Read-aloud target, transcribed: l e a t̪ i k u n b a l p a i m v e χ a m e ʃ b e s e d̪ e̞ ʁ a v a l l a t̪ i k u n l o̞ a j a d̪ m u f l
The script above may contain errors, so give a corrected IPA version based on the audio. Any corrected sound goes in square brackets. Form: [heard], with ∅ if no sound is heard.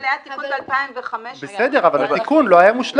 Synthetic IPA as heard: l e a t̪ i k u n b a l p a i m v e χ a m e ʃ b e s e d̪ e̞ ʁ a v a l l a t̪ i k u n l o̞ a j a [∅] m u [ʃ] l